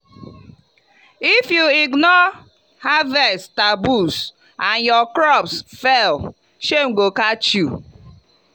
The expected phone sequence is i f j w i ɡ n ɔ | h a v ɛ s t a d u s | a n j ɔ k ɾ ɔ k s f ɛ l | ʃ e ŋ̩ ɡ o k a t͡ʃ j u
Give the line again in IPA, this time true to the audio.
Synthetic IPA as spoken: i f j u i ɡ n ɔ | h a v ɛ s t a b u s | a n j ɔ k ɾ ɔ p s f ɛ l | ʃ e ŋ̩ ɡ o k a t͡ʃ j u